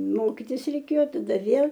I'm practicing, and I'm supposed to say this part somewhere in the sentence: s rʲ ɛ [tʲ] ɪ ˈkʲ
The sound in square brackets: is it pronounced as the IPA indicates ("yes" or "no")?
no